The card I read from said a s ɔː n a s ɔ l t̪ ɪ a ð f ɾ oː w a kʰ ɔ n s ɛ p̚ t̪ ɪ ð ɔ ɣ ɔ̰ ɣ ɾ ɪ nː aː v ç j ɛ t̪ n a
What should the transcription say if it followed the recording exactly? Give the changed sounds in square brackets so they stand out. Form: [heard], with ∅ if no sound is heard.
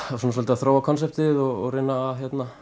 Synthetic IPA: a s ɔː n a s ɔ l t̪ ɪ a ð [θ] ɾ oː w a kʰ ɔ n s ɛ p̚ t̪ ɪ ð ɔ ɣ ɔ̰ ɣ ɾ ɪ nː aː [ð] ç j ɛ t̪ n a